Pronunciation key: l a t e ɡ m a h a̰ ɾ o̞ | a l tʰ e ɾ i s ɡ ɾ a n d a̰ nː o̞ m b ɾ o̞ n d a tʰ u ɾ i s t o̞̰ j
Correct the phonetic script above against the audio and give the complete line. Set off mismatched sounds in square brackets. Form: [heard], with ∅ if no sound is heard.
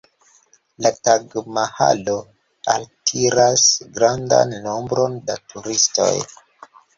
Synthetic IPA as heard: l a t [a] ɡ m a h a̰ [l] o̞ | a l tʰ [i] ɾ [a] s ɡ ɾ a n d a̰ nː o̞ m b ɾ o̞ n d a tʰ u ɾ i s t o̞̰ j

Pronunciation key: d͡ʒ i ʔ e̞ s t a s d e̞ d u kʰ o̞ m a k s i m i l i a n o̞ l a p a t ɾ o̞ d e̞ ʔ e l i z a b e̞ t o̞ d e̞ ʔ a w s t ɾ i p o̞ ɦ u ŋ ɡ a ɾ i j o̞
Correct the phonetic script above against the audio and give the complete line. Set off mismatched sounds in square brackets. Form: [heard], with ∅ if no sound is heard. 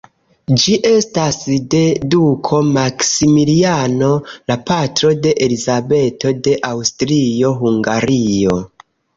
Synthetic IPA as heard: d͡ʒ i ʔ e̞ s t a s d e̞ d u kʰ o̞ m a k s i m i l i a n o̞ l a p a t ɾ o̞ d e̞ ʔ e l i z a b e̞ t o̞ d e̞ ʔ a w s t ɾ i [∅] o̞ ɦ u ŋ ɡ a ɾ i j o̞

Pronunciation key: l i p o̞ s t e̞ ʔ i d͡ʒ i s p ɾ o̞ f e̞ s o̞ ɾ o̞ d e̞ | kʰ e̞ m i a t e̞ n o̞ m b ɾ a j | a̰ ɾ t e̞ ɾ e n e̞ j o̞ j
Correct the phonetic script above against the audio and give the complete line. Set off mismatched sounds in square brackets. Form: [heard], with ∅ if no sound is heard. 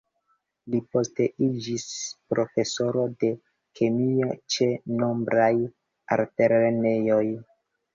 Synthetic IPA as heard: l i p o̞ s t e̞ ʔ i d͡ʒ i s p ɾ o̞ f e̞ s o̞ ɾ o̞ d e̞ | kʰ e̞ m i a [t͡ʃ] e̞ n o̞ m b ɾ a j | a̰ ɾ t e̞ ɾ e n e̞ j o̞ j

